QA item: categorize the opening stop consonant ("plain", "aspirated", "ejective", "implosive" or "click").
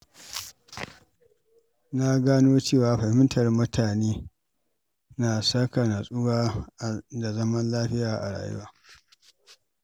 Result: plain